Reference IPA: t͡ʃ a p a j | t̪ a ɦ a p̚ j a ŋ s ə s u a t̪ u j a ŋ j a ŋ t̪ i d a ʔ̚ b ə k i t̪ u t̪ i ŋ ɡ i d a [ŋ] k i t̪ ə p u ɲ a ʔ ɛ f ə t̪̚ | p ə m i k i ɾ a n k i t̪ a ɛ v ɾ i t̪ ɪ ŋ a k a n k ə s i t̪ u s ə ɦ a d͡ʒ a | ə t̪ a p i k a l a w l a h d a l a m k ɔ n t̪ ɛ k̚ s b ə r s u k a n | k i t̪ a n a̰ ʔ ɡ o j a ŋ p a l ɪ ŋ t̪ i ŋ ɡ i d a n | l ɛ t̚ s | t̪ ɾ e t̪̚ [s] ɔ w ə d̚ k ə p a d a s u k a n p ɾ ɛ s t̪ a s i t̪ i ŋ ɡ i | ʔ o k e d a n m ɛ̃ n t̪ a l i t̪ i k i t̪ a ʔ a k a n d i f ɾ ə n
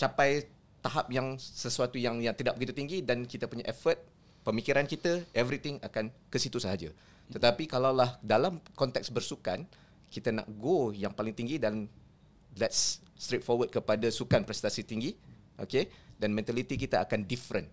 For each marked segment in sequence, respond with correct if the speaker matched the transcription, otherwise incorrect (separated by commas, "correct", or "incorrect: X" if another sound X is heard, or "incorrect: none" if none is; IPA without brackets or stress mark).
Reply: incorrect: n, incorrect: f